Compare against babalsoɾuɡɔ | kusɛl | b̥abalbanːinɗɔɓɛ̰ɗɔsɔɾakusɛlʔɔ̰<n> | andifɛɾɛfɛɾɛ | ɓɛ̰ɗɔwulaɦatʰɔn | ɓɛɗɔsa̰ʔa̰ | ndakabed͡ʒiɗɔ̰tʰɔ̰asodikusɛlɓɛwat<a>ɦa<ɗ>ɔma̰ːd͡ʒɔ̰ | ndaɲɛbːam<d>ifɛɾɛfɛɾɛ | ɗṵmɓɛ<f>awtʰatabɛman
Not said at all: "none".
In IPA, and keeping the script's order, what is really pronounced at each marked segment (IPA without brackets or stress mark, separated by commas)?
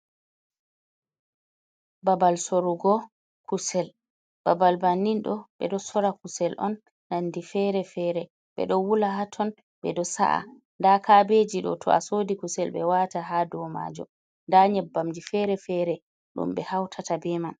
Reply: nː, a, d, d͡ʒ, h